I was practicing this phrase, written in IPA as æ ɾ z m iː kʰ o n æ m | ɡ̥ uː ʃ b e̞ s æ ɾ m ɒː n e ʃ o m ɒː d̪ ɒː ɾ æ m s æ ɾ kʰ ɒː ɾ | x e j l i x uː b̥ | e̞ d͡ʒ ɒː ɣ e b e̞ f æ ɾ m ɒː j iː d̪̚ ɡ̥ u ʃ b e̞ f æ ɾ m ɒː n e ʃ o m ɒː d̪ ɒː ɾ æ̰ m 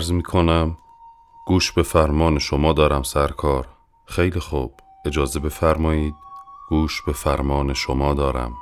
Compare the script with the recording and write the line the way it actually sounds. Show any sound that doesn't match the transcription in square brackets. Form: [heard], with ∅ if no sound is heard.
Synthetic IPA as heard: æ ɾ z m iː kʰ o n æ m | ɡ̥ uː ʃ b e̞ [f] æ ɾ m ɒː n e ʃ o m ɒː d̪ ɒː ɾ æ m s æ ɾ kʰ ɒː ɾ | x e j l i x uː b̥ | e̞ d͡ʒ ɒː [z] e b e̞ f æ ɾ m ɒː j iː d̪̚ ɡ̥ [uː] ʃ b e̞ f æ ɾ m ɒː n e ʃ o m ɒː d̪ ɒː ɾ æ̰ m